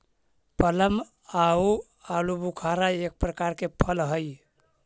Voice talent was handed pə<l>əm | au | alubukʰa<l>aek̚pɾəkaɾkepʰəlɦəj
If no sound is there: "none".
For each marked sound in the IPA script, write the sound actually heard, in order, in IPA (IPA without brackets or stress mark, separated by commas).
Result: l, ɾ